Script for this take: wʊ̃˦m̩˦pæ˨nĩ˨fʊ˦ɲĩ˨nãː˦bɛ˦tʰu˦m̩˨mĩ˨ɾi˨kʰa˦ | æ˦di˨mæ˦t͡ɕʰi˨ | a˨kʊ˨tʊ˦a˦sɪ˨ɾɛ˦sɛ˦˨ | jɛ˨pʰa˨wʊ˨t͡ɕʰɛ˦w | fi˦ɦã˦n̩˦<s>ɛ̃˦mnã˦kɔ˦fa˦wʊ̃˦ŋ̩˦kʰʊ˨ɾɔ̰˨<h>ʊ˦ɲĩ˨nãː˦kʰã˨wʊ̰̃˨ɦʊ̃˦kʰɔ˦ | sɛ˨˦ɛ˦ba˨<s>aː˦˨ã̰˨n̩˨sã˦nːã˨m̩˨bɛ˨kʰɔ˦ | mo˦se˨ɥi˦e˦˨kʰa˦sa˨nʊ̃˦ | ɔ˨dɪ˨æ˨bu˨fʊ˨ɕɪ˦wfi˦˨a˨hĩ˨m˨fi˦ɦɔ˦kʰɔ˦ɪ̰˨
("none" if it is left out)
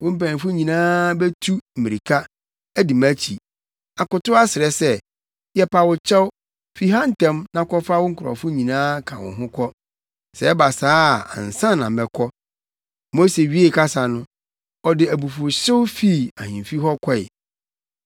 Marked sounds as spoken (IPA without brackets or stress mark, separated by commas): t, f, s